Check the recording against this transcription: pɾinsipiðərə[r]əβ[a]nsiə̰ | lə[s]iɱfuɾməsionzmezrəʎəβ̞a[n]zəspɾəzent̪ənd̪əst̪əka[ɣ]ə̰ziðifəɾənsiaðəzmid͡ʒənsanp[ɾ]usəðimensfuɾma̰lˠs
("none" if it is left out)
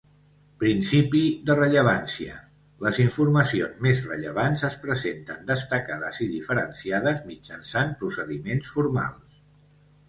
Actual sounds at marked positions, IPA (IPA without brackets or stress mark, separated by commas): ʎ, a, z, n, ð, ɾ